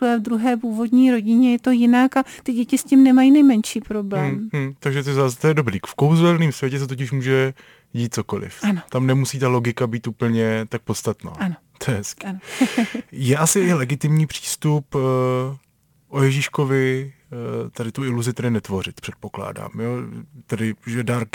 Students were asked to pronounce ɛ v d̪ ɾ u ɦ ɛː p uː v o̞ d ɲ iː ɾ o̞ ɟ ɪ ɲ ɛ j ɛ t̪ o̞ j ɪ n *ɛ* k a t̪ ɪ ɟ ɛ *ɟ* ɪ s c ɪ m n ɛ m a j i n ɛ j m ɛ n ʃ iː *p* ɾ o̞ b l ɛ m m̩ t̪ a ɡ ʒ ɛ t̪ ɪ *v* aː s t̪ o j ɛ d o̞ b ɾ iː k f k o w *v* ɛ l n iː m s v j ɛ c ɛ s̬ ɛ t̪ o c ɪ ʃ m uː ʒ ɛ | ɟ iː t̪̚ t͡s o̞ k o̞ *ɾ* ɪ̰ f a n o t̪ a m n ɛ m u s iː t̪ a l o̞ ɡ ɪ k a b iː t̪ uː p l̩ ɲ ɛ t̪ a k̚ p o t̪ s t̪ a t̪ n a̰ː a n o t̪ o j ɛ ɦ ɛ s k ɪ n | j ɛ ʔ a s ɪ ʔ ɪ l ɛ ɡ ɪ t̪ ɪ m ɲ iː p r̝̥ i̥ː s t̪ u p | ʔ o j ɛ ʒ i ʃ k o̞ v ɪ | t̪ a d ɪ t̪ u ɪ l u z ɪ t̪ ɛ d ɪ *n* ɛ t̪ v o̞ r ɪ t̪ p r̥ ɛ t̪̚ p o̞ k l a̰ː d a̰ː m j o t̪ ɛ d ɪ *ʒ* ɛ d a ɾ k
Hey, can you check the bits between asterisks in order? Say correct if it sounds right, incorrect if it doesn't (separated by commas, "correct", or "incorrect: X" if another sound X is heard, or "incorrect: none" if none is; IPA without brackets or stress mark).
incorrect: a, incorrect: c, correct, incorrect: z, incorrect: z, incorrect: l, correct, correct